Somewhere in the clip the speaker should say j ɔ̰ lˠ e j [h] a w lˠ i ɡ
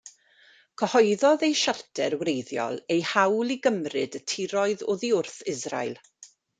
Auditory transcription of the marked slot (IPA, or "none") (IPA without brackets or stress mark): h